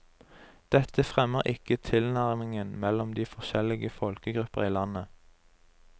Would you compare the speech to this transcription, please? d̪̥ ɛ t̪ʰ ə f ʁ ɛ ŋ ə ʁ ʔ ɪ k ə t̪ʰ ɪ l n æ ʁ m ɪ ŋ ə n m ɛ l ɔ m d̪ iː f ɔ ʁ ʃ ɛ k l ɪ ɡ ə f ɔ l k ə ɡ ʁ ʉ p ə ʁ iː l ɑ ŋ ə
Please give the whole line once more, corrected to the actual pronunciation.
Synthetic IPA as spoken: d̪̥ ɛ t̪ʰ ə f ʁ ɛ m ə ʁ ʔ ɪ k ə t̪ʰ ɪ l n æ ʁ m ɪ ŋ ə n m ɛ l ɔ m d̪ iː f ɔ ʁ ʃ ɛ l ɪ ɡ ə f ɔ l k ə ɡ ʁ ʉ p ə ʁ iː l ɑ n ə